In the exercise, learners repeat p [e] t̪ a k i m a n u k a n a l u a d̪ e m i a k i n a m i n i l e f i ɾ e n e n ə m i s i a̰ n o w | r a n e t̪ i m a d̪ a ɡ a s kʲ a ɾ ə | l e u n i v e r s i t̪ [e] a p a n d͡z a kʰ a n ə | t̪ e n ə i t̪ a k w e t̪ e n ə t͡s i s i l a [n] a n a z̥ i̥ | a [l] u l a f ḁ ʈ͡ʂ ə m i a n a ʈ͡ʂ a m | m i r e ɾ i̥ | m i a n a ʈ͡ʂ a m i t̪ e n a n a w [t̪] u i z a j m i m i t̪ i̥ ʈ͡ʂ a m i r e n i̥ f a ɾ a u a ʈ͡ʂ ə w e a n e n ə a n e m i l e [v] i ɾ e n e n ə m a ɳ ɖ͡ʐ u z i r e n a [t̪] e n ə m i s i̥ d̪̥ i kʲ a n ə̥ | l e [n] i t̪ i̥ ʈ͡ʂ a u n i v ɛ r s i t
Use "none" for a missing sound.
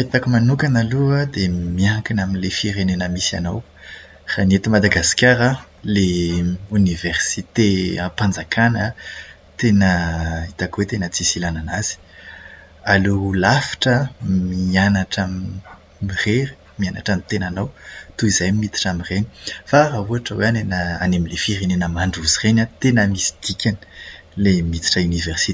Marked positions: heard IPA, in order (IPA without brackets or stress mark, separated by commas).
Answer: e, e, n, l, t̪, f, t̪, m